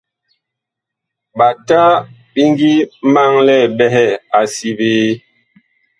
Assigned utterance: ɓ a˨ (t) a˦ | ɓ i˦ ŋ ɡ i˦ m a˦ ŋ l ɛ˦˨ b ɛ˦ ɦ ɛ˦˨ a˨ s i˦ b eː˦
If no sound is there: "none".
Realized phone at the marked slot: t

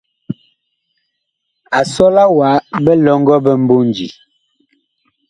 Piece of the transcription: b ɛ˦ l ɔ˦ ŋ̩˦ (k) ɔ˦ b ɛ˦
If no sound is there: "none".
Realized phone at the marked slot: ɡ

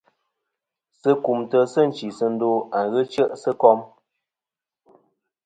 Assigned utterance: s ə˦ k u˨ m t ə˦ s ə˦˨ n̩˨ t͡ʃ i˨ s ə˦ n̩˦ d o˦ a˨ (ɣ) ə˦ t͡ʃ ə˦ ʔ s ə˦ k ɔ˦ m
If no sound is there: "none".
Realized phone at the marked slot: ɣ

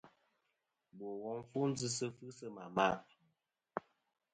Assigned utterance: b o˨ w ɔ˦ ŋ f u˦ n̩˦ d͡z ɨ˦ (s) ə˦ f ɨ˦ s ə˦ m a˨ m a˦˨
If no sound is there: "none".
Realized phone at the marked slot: s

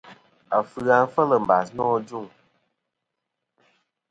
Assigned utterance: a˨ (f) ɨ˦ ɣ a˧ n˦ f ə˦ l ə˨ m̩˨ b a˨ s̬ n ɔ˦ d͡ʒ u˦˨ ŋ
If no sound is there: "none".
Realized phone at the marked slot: f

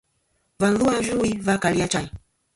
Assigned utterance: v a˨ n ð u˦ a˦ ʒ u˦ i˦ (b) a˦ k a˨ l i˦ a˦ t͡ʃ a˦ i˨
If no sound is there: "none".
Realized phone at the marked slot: v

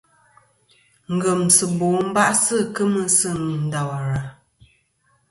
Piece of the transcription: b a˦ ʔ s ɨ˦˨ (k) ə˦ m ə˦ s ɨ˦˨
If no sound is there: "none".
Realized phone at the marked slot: k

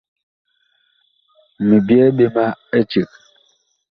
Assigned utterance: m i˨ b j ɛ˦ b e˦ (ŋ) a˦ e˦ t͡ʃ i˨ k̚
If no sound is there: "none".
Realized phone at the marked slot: m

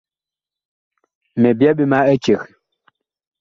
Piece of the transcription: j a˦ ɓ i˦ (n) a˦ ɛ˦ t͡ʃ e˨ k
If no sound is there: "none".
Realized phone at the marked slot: m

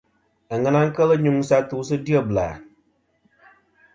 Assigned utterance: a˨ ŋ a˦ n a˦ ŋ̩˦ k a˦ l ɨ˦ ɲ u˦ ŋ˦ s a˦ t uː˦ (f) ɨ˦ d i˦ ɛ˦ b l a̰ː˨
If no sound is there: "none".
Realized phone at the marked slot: s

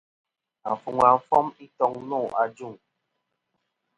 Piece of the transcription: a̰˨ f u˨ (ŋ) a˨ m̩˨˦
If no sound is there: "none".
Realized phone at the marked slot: ŋ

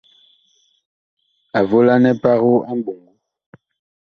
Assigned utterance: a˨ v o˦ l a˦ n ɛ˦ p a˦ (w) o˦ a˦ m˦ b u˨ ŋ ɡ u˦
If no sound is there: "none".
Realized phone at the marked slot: ɣ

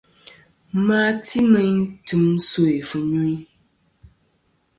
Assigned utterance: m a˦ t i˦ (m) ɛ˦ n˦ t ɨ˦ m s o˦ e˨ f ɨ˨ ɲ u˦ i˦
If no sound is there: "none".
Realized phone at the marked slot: m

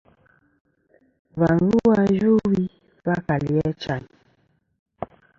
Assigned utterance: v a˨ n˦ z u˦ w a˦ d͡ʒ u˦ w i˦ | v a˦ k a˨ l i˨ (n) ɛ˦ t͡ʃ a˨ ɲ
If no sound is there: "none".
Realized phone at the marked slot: none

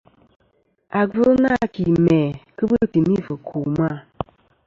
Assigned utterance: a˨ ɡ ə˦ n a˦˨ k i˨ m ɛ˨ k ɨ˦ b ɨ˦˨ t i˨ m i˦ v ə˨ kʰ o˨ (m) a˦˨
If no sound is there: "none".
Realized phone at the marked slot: m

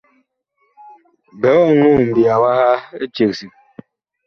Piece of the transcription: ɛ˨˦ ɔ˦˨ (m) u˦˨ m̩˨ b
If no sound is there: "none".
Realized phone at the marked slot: ŋ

